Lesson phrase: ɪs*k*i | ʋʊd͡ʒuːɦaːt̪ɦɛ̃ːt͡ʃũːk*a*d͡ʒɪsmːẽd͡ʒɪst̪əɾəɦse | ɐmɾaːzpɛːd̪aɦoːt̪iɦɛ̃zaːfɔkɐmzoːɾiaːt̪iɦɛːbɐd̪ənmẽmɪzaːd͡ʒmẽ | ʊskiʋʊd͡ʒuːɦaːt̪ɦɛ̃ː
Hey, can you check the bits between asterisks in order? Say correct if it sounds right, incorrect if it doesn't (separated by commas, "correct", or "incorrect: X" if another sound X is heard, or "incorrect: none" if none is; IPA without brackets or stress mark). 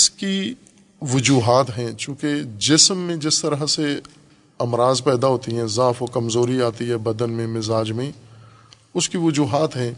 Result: correct, incorrect: e